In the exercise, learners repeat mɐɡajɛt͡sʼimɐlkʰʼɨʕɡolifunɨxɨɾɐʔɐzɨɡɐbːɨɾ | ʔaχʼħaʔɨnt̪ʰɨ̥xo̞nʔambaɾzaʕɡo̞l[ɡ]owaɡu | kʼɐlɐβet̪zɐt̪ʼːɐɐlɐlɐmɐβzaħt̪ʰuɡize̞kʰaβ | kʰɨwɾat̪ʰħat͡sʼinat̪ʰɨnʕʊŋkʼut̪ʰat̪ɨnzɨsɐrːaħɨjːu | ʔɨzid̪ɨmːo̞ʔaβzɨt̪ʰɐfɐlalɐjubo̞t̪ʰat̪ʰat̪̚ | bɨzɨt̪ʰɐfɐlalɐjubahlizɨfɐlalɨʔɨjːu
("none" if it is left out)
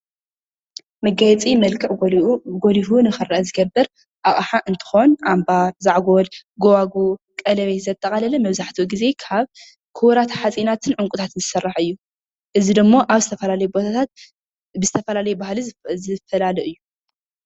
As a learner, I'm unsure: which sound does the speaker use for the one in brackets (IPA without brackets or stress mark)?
ɡ